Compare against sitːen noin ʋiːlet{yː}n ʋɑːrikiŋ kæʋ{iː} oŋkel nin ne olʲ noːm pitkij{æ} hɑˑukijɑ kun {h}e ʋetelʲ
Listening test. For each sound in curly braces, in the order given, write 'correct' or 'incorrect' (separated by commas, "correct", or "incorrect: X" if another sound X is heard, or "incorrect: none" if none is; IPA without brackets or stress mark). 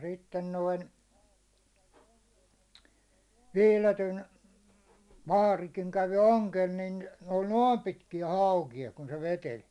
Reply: incorrect: y, incorrect: i, correct, incorrect: s